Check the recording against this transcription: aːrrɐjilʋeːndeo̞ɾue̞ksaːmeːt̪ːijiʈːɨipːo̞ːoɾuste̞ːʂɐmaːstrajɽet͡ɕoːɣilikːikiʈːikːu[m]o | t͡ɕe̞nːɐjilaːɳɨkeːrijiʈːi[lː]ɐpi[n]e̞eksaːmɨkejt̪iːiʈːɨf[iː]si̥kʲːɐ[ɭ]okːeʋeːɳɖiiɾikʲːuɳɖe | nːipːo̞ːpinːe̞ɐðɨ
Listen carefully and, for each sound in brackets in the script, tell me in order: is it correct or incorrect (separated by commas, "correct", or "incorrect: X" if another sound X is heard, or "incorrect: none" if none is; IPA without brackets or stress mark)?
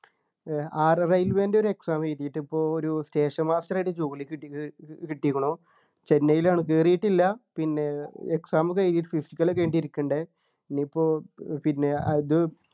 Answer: incorrect: ɳ, correct, incorrect: nː, incorrect: i, incorrect: l